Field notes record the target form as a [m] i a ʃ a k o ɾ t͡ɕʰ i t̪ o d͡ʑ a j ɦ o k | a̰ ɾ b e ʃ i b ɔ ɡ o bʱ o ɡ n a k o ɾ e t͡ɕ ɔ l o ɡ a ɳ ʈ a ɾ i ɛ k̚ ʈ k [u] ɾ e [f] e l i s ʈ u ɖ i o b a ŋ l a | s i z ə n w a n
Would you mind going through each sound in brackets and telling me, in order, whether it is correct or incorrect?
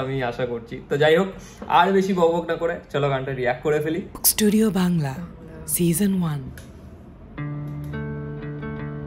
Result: correct, incorrect, correct

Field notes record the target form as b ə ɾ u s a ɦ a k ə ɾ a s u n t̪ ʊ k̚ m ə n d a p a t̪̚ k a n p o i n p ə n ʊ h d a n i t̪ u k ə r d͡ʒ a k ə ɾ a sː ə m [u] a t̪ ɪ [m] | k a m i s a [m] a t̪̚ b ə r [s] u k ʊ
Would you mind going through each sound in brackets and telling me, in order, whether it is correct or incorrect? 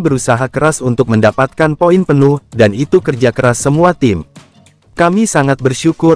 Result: correct, correct, incorrect, incorrect

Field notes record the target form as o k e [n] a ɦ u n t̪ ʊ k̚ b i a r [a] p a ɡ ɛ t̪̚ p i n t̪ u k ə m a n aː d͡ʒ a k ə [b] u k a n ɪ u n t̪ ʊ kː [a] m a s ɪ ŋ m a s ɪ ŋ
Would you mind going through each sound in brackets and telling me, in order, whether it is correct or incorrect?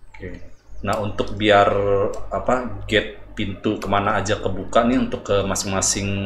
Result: correct, correct, correct, incorrect

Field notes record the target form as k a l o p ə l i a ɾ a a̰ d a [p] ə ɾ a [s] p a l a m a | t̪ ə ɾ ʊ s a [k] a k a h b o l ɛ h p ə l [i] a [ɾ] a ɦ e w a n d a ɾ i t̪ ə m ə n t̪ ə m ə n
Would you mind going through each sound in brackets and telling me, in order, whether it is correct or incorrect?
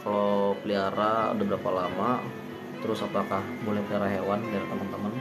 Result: incorrect, incorrect, incorrect, correct, correct

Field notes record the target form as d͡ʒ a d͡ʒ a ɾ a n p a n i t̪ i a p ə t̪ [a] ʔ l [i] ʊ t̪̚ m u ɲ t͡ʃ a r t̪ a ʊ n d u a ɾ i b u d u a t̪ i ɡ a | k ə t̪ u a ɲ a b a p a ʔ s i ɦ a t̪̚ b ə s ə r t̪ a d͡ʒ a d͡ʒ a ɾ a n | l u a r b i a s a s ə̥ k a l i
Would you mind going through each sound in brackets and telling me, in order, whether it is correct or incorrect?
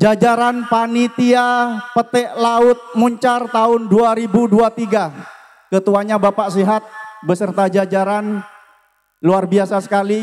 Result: incorrect, incorrect

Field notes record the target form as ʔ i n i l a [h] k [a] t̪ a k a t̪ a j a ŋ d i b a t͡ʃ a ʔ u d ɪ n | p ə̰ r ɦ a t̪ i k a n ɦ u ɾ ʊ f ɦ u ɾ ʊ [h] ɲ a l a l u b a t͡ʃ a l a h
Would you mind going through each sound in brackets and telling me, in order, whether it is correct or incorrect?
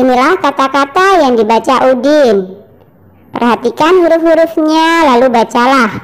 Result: correct, correct, incorrect

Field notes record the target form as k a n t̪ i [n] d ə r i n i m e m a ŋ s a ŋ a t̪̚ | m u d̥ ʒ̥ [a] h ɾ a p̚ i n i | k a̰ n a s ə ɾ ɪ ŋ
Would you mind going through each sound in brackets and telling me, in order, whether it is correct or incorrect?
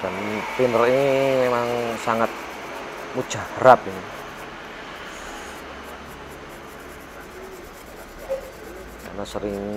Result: correct, correct

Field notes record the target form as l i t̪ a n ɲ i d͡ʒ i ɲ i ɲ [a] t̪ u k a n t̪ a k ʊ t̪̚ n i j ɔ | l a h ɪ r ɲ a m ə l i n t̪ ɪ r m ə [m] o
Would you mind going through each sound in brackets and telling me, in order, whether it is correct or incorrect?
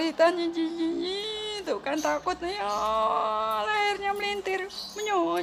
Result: incorrect, incorrect

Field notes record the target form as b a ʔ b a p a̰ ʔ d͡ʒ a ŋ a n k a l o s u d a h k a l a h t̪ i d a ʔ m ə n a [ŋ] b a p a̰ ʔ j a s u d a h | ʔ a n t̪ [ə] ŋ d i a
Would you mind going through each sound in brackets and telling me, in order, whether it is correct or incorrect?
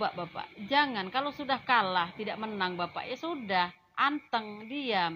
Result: correct, correct

